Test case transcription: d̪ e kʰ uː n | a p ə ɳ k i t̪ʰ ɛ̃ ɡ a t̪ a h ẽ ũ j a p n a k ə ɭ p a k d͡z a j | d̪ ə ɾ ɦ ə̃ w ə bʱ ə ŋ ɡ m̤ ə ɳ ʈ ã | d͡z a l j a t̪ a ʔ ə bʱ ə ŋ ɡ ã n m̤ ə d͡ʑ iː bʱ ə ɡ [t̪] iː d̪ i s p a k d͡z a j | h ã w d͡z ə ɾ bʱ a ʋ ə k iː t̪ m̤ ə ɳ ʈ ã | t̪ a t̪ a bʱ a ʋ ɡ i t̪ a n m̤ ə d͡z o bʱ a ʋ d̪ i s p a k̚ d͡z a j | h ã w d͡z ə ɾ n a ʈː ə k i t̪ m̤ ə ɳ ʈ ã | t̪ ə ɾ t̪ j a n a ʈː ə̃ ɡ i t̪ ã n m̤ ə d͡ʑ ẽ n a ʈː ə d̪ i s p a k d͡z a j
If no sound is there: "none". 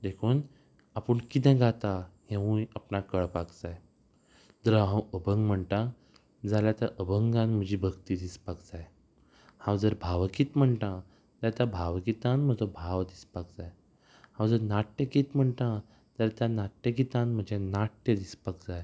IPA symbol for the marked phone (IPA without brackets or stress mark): t̪